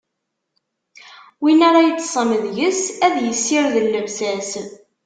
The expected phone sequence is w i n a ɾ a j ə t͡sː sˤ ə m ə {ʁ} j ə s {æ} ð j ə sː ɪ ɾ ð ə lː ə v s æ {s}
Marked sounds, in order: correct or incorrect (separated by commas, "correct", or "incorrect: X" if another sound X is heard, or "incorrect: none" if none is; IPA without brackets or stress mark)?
incorrect: ð, correct, correct